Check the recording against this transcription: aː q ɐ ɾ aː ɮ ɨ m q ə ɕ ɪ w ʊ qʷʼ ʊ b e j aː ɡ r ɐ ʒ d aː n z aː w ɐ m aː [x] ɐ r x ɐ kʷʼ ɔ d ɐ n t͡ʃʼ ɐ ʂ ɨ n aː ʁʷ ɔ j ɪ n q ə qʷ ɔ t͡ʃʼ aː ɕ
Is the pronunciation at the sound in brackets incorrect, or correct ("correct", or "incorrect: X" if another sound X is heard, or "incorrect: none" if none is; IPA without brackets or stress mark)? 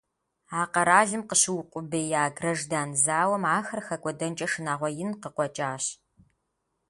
correct